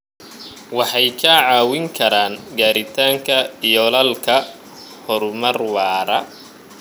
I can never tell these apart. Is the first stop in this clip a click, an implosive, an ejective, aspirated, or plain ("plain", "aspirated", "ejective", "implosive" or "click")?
aspirated